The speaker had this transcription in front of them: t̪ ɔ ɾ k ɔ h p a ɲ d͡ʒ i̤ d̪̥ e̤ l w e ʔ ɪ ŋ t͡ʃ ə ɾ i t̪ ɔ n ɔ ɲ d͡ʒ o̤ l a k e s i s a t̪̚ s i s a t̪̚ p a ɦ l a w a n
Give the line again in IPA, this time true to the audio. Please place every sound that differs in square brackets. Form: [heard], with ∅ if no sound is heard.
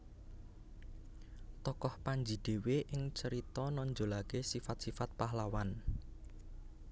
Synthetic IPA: t̪ ɔ [∅] k ɔ h p a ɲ d͡ʒ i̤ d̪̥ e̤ [∅] w e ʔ ɪ ŋ t͡ʃ ə ɾ i t̪ ɔ n ɔ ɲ d͡ʒ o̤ l a k e s i [f] a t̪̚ s i [f] a t̪̚ p a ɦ l a w a n